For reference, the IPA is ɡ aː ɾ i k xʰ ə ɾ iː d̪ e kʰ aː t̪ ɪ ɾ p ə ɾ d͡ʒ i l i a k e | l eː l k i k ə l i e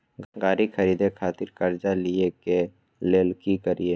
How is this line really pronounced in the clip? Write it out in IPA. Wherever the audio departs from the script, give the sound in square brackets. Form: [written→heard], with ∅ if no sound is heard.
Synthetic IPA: ɡ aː ɾ i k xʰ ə ɾ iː d̪ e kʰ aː t̪ ɪ ɾ [p→k] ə ɾ d͡ʒ [i→a] l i [a→e] k e | l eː l k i k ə [l→ɾ] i e